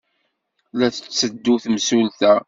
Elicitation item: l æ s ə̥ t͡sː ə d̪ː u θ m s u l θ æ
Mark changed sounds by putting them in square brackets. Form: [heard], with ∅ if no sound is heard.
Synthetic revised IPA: l æ [θ] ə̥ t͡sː ə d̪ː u θ m s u l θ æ